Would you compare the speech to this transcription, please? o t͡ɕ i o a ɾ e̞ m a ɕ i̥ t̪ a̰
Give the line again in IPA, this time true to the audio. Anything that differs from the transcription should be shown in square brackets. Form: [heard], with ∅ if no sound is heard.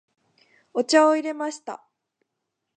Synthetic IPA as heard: o t͡ɕ [a] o [i] ɾ e̞ m a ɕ i̥ t̪ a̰